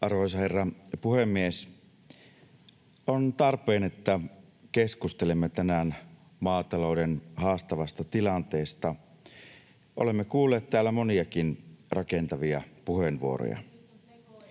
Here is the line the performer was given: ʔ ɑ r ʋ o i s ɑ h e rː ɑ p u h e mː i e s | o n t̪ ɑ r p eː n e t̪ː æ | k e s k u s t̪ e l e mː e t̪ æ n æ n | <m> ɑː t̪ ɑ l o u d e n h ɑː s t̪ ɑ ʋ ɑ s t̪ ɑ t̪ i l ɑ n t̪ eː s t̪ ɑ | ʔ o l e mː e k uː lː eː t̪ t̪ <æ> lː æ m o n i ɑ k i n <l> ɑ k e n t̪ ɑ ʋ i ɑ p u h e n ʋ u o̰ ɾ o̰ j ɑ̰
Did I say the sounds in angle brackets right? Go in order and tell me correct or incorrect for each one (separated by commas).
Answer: correct, incorrect, incorrect